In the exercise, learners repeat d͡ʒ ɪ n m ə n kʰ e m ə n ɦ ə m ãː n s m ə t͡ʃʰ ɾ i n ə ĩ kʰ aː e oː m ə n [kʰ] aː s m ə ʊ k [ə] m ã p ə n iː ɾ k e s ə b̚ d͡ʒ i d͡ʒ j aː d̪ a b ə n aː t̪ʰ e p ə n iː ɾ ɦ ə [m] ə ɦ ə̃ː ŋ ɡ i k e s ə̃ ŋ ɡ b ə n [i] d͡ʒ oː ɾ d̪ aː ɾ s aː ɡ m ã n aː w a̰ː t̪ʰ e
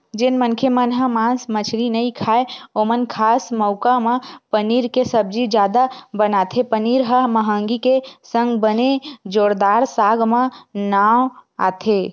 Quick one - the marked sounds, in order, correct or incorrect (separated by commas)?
correct, incorrect, correct, incorrect